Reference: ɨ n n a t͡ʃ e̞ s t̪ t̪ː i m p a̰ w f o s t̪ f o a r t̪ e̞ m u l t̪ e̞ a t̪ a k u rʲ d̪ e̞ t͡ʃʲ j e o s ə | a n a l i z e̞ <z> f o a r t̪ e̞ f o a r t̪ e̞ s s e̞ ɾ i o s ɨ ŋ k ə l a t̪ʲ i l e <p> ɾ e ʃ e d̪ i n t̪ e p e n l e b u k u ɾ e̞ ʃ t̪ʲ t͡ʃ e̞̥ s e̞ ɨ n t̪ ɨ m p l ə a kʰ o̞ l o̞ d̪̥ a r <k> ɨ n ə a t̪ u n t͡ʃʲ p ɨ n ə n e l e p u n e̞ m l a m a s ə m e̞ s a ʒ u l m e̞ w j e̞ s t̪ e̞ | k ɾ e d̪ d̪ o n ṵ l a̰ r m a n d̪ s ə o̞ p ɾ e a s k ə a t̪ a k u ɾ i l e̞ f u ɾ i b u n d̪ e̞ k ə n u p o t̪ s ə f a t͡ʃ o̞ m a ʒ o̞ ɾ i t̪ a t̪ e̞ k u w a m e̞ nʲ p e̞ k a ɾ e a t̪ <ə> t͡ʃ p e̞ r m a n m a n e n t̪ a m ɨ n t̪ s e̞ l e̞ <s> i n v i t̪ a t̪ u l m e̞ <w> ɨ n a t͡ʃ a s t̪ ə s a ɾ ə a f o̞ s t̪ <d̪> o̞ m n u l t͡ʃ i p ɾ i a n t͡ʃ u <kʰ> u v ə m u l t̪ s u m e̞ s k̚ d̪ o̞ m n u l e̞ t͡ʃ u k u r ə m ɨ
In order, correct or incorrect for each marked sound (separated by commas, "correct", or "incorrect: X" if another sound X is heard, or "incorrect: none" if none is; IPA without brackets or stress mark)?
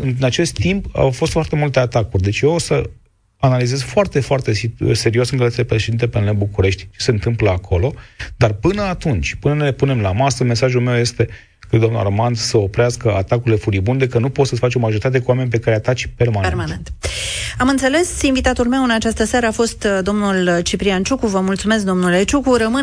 correct, correct, incorrect: p, incorrect: a, correct, correct, correct, incorrect: k